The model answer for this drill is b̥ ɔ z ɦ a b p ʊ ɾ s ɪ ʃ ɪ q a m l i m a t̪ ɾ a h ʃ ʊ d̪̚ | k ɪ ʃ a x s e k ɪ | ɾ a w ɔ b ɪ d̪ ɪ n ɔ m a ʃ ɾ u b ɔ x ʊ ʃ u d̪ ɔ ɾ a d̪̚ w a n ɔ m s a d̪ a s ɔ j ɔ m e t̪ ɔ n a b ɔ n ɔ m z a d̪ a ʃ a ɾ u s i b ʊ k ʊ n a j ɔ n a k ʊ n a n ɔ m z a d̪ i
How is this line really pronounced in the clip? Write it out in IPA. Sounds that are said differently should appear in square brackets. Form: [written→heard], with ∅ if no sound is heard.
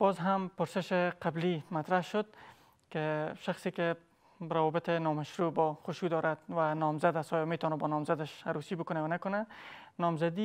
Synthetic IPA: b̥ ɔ z ɦ a [b→m] p ʊ ɾ s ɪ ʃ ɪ q a [m→b] l i m a t̪ ɾ a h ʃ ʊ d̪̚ | k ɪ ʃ a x s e k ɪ | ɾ a w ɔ b ɪ [d̪→t̪] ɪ n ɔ m a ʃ ɾ u b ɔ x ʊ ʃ u d̪ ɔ ɾ a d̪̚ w a n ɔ m [s→z] a d̪ a s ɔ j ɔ m e t̪ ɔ n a b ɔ n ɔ m z a d̪ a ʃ a ɾ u s i b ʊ k ʊ n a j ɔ n a k ʊ n a n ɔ m z a d̪ i

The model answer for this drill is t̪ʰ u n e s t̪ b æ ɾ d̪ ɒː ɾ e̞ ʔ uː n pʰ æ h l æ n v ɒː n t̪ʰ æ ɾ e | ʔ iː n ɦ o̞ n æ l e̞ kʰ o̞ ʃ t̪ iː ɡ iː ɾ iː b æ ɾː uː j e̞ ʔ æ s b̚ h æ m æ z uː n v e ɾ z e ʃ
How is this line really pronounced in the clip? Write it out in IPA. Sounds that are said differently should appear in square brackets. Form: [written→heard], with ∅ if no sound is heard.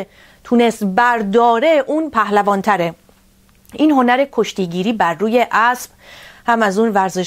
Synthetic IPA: t̪ʰ u n e s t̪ b æ ɾ d̪ ɒː ɾ e̞ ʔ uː n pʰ æ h l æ [n→∅] v ɒː n t̪ʰ æ ɾ e | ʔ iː n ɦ o̞ n æ [l→ɾ] e̞ kʰ o̞ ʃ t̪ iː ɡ iː ɾ iː b æ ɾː uː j e̞ ʔ æ s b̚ h æ m æ z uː n v [e→æ] ɾ z e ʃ

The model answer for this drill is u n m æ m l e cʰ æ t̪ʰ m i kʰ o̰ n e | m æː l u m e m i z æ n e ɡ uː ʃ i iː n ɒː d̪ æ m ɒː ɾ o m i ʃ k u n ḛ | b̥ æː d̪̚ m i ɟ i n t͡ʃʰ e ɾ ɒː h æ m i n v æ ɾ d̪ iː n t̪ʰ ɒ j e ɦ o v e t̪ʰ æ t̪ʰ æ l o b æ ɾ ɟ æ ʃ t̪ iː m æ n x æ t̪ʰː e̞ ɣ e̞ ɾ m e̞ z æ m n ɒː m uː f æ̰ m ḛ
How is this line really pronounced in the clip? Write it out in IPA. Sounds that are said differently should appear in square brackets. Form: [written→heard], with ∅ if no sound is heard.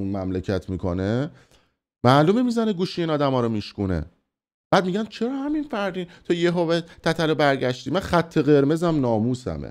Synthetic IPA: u n m æ m l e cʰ æ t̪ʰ m i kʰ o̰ n e | m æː l u m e m i z æ n e ɡ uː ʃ i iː n ɒː d̪ æ m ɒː ɾ o m i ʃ k u n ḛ | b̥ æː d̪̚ m i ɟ [i→æ] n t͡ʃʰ e ɾ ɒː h æ m i n [v→f] æ ɾ d̪ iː n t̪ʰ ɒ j e ɦ o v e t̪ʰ æ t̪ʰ æ l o b æ ɾ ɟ æ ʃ t̪ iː m æ n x æ t̪ʰː e̞ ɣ e̞ ɾ m e̞ z æ m n ɒː m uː [f→s] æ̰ m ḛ

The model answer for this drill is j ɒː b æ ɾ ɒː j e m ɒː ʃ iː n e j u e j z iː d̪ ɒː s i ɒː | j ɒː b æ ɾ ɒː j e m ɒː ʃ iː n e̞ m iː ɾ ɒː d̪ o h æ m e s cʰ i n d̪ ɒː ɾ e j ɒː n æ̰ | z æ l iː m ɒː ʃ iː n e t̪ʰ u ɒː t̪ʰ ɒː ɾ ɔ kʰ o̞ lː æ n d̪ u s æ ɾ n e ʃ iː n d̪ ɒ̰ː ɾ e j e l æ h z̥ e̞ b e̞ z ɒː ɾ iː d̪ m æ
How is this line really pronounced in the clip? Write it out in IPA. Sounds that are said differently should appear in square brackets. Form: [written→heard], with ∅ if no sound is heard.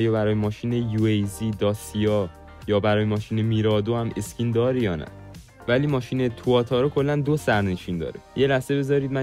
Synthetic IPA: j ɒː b æ ɾ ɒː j e m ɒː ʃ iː n e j u e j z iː d̪ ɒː s i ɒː | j ɒː b æ ɾ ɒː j e m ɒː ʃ iː n e̞ m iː ɾ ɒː d̪ o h æ m e s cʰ i n d̪ ɒː ɾ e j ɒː n æ̰ | [z→v] æ l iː m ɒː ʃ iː n e t̪ʰ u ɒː t̪ʰ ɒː ɾ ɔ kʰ o̞ lː æ n d̪ [u→o] s æ ɾ n e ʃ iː n d̪ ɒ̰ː ɾ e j e l æ h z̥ e̞ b e̞ z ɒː ɾ iː d̪ m æ

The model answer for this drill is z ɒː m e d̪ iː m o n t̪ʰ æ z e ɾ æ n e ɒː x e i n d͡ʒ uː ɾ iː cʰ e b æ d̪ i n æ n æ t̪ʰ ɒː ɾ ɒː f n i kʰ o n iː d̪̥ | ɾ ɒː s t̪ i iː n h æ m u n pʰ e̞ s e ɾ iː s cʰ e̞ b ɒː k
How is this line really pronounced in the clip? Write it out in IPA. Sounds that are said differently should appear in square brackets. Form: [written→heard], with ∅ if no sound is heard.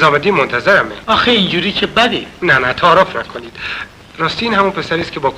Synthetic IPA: z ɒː m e d̪ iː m o n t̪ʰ æ z e ɾ æ [n→m] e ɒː x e i n d͡ʒ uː ɾ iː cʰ e b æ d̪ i n æ n æ t̪ʰ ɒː ɾ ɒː f n [i→æ] kʰ o n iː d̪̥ | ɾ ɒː s t̪ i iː n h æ m u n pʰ e̞ s [e→æ] ɾ iː s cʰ e̞ b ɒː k

